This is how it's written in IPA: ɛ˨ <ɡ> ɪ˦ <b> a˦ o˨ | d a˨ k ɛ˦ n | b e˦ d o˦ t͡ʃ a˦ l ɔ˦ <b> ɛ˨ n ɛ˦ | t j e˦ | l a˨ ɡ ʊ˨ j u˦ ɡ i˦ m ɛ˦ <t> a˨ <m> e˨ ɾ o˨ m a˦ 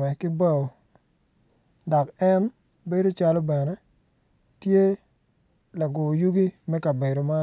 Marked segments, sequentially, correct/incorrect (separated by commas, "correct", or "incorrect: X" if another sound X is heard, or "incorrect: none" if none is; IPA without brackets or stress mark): incorrect: k, correct, correct, incorrect: k, incorrect: b